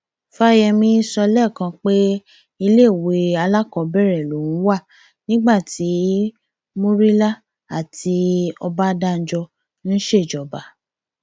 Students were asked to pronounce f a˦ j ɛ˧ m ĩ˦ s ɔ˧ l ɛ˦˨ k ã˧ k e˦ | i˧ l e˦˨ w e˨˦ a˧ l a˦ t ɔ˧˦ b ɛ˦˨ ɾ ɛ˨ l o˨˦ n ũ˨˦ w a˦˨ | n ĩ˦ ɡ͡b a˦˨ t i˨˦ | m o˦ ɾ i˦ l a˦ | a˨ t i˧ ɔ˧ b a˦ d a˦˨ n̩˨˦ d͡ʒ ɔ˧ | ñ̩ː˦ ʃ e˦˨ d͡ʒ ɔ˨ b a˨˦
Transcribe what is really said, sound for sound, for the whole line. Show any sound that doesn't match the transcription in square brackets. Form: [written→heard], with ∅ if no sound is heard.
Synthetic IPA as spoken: f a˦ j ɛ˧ m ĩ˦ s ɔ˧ l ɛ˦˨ k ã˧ [k→k͡p] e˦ | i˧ l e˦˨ w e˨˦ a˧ l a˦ [t→k] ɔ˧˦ b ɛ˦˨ ɾ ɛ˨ l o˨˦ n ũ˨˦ w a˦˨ | n ĩ˦ ɡ͡b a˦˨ t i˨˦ | m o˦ ɾ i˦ l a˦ | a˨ t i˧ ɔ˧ b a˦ d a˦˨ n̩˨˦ d͡ʒ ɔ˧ | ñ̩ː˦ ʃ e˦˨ d͡ʒ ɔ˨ b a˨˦